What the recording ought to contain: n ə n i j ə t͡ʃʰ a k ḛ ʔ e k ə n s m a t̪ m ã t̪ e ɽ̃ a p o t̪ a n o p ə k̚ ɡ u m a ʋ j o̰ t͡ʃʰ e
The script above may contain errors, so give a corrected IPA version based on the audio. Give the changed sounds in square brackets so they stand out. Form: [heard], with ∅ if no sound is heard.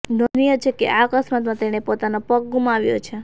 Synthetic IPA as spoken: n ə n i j ə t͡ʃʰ [e] k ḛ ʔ [a] k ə [∅] s m a t̪ m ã t̪ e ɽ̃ [e] p o t̪ a n o p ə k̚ ɡ u m a ʋ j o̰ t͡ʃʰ e